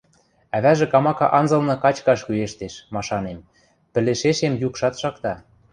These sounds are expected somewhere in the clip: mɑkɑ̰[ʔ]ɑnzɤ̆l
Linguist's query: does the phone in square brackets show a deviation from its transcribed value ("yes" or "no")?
no